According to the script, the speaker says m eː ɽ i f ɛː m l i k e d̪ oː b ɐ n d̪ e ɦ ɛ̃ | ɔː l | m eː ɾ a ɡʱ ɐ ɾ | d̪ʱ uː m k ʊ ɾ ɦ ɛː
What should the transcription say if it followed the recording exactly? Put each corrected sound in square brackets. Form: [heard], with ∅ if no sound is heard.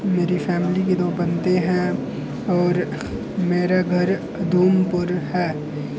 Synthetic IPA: m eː [ɾ] i f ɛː m l i k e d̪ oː b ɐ n [t̪] e ɦ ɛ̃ | ɔː [ɾ] | m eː ɾ a ɡʱ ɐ ɾ | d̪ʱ uː m [p] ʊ ɾ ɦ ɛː